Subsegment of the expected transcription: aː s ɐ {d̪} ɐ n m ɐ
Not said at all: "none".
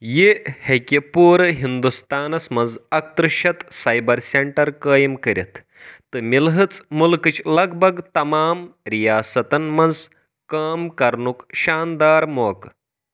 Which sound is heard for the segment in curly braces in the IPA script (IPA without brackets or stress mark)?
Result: t̪